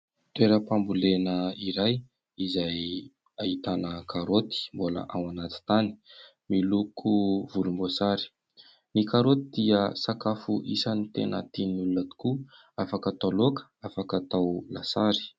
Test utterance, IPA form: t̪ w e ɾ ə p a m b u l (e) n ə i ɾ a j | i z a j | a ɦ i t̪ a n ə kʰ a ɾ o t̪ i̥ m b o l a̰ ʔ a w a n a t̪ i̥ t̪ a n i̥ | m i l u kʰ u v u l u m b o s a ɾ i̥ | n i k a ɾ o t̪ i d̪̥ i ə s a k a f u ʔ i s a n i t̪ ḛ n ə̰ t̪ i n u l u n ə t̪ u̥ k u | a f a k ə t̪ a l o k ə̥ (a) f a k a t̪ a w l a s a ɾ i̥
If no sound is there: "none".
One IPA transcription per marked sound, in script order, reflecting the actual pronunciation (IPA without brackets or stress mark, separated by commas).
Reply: e, a